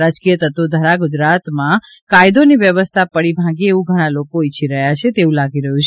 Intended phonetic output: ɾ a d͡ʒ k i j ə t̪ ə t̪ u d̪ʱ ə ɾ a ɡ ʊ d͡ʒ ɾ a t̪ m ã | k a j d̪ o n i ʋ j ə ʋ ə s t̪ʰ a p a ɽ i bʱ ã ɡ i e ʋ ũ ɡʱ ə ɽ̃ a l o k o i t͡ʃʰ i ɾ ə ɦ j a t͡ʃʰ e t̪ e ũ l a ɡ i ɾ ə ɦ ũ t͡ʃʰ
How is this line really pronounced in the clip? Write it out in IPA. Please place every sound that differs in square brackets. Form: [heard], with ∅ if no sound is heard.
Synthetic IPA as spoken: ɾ a d͡ʒ k i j ə t̪ ə t̪ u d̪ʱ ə ɾ a ɡ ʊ d͡ʒ ɾ a t̪ m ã | k a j d̪ o n i ʋ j ə ʋ ə s t̪ʰ a p [ə] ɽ i bʱ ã ɡ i e ʋ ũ ɡʱ ə ɽ̃ a l o k o i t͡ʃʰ i ɾ ə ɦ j a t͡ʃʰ e t̪ e ũ l a ɡ i ɾ ə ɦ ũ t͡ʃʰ